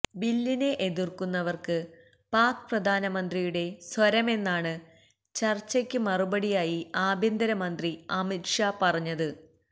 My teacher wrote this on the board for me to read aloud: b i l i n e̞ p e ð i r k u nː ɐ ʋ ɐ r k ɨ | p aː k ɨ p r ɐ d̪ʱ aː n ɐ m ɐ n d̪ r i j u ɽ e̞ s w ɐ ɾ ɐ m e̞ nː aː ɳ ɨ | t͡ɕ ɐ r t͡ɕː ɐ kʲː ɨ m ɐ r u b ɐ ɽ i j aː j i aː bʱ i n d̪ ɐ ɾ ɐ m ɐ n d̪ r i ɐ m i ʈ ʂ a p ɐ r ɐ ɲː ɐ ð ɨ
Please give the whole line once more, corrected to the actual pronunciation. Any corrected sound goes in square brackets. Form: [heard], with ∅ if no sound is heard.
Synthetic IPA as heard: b i [lː] i n e̞ [ʔ] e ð i r k u nː ɐ ʋ ɐ r k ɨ | p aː k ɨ p r ɐ d̪ʱ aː n ɐ m ɐ n d̪ r i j u ɽ e̞ s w ɐ ɾ ɐ m e̞ nː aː ɳ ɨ | t͡ɕ ɐ r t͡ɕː ɐ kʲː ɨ m ɐ r u b ɐ ɽ i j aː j i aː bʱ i n d̪ ɐ ɾ ɐ m ɐ n d̪ r i ɐ m i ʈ ʂ a p ɐ r ɐ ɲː ɐ ð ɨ

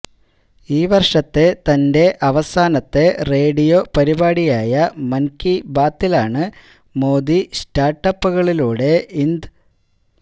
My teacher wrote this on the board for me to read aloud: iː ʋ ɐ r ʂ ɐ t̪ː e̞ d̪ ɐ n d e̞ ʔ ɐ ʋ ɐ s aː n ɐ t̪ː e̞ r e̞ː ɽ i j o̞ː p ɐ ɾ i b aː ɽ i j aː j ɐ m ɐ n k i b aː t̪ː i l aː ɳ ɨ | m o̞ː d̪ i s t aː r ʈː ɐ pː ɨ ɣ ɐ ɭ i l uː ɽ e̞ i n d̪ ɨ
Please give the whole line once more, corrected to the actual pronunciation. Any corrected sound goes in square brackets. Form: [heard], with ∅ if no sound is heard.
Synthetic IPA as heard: iː ʋ ɐ r ʂ ɐ t̪ː e̞ [t̪] ɐ n d e̞ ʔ ɐ ʋ ɐ s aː n ɐ t̪ː e̞ r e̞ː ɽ i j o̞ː p ɐ ɾ i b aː ɽ i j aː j ɐ m ɐ n k i b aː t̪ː i l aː ɳ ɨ | m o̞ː d̪ i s t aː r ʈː ɐ pː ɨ ɣ ɐ ɭ i l uː ɽ e̞ i n d̪ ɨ

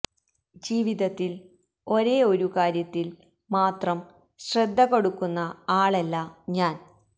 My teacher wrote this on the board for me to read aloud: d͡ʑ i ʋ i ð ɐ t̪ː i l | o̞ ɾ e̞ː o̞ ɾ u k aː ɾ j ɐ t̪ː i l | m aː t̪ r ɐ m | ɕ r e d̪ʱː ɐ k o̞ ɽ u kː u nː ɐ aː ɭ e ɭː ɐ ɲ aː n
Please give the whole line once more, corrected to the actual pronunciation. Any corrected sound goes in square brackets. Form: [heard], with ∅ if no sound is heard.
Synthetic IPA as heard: d͡ʑ [iː] ʋ i ð ɐ t̪ː i l | o̞ ɾ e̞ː o̞ ɾ u k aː ɾ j ɐ t̪ː i l | m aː t̪ r ɐ m | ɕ r e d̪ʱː ɐ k o̞ ɽ u kː u nː ɐ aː ɭ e [lː] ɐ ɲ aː n

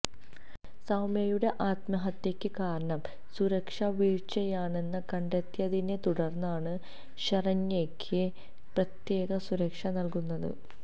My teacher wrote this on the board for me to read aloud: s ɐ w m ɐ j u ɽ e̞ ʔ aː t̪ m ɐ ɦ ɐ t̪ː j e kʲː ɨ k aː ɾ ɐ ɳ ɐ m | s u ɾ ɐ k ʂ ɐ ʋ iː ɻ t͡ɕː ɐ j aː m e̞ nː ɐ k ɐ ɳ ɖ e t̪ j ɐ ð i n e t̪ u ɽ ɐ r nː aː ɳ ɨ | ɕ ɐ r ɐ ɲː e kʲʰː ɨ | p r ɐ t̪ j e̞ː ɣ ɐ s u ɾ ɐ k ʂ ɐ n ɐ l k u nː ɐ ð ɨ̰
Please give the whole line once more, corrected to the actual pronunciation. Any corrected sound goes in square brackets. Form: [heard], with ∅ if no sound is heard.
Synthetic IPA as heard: s ɐ w m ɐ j u ɽ e̞ ʔ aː t̪ m ɐ ɦ ɐ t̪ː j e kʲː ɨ k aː ɾ ɐ ɳ ɐ m | s u ɾ ɐ k ʂ ɐ ʋ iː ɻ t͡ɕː ɐ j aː [ɳ] e̞ nː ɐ k ɐ ɳ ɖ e t̪ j ɐ ð i n e t̪ u ɽ ɐ r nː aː ɳ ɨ | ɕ ɐ r ɐ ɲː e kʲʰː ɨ | p r ɐ t̪ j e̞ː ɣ ɐ s u ɾ ɐ k ʂ ɐ n ɐ l k u nː ɐ ð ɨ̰

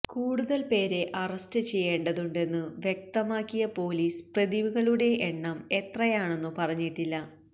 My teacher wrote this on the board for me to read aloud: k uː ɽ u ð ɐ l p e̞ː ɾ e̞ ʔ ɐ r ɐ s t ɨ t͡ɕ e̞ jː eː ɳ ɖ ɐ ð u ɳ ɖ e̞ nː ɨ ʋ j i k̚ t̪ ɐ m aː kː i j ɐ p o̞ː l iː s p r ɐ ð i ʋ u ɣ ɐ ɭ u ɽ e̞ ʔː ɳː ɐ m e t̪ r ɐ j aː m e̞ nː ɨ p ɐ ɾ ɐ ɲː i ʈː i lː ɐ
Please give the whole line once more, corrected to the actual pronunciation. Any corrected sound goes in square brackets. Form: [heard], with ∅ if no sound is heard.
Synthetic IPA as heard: k uː ɽ u ð ɐ l p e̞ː ɾ e̞ ʔ ɐ r ɐ s t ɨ t͡ɕ e̞ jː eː ɳ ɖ ɐ ð u ɳ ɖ e̞ nː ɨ ʋ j [e] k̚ t̪ ɐ m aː kː i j ɐ p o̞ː l iː s p r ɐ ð i ʋ u ɣ ɐ ɭ u ɽ e̞ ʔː ɳː ɐ m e t̪ r ɐ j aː [ɳ] e̞ nː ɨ p ɐ [r] ɐ ɲː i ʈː i lː ɐ

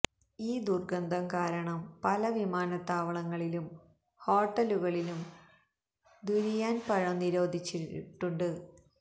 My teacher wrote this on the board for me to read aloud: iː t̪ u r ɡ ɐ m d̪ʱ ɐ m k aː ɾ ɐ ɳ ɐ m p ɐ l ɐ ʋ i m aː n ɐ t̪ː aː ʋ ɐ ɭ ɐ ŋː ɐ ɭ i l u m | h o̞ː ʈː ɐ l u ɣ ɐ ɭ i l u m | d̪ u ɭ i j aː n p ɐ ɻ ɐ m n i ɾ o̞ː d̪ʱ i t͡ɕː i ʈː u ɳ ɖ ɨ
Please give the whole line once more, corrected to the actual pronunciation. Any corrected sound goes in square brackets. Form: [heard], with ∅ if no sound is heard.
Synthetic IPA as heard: iː [d̪] u r ɡ ɐ [n] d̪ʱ ɐ m k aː ɾ ɐ ɳ ɐ m p ɐ l ɐ ʋ i m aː n ɐ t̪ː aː ʋ ɐ ɭ ɐ ŋː ɐ ɭ i l u m | h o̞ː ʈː ɐ l u ɣ ɐ ɭ i l u m | d̪ u [ɾ] i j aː n p ɐ ɻ ɐ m n i ɾ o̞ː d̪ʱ i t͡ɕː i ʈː u ɳ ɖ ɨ

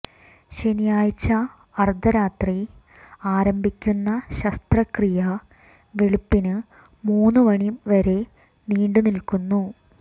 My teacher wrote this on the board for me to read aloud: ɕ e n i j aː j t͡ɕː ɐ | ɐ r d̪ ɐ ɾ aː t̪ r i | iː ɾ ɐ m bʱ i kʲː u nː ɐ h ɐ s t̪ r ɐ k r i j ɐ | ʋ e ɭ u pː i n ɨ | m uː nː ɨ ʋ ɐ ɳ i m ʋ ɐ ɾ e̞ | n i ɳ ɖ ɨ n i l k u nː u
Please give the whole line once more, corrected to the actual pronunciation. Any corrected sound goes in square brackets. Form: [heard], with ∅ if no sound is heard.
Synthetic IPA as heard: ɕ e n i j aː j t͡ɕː ɐ | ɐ r d̪ ɐ ɾ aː t̪ r i | [aː] ɾ ɐ m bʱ i kʲː u nː ɐ [ɕ] ɐ s t̪ r ɐ k r i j ɐ | ʋ e ɭ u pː i n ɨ | m uː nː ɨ ʋ ɐ ɳ i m ʋ ɐ ɾ e̞ | n [iː] ɳ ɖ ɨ n i l k u nː u

